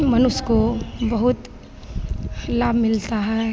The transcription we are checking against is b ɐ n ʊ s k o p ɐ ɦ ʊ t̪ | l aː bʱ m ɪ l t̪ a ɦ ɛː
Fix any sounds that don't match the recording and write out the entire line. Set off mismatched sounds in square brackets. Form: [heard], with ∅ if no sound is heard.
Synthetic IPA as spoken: [m] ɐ n ʊ s k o [b] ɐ ɦ ʊ t̪ | l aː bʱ m ɪ l t̪ a ɦ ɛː